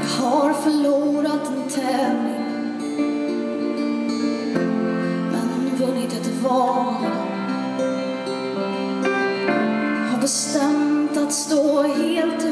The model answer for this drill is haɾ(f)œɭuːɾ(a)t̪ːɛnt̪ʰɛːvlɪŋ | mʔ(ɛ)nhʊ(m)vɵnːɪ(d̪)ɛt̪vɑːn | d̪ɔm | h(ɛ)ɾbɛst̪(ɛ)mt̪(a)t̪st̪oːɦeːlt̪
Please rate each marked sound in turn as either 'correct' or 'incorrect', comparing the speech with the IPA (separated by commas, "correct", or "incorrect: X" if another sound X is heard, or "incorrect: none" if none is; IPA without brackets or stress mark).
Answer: correct, correct, correct, incorrect: n, incorrect: t̪, incorrect: a, correct, correct